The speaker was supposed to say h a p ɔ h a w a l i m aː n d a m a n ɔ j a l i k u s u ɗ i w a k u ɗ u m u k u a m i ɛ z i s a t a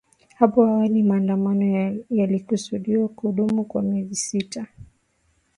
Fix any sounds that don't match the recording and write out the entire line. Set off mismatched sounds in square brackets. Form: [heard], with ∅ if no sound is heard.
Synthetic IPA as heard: h a p ɔ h a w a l i m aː n d a m a n ɔ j a l i k u s u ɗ i w a k u ɗ u m u k [w] a m i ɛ z i s [i] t a